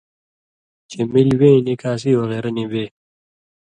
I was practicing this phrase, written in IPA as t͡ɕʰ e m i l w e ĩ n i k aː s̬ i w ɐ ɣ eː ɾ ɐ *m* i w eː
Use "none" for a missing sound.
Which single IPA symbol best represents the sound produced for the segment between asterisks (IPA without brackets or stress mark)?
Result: n